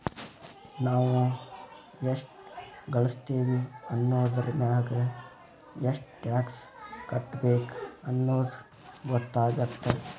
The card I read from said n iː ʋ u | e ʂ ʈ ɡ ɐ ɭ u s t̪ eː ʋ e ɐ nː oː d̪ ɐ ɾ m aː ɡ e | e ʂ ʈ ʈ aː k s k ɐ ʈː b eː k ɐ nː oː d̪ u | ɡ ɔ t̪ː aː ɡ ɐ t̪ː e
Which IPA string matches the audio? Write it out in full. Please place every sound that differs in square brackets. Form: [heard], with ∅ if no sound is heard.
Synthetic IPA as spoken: n [aː] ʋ u | e ʂ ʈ ɡ ɐ ɭ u s t̪ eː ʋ [i] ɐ nː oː d̪ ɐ ɾ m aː ɡ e | e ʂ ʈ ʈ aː k s k ɐ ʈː b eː k ɐ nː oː d̪ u | ɡ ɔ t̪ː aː ɡ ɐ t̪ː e